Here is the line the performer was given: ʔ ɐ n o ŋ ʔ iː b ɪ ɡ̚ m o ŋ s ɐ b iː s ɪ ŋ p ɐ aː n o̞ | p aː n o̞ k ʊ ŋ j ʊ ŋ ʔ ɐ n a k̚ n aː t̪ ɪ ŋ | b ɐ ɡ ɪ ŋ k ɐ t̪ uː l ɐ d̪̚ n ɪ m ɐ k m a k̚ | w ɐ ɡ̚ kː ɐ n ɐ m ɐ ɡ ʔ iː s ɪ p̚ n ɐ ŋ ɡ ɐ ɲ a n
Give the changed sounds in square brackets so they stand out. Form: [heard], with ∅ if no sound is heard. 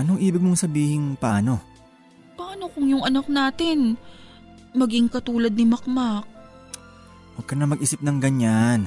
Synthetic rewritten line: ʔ ɐ n o ŋ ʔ iː b ɪ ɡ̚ m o ŋ s ɐ b iː [h] ɪ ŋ p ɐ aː n o̞ | p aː n o̞ k ʊ ŋ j ʊ ŋ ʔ ɐ n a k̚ n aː t̪ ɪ [n] | [m] ɐ ɡ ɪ ŋ k ɐ t̪ uː l ɐ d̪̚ n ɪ m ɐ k m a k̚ | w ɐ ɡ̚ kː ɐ n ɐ m ɐ ɡ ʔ iː s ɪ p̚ n ɐ ŋ ɡ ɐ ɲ a n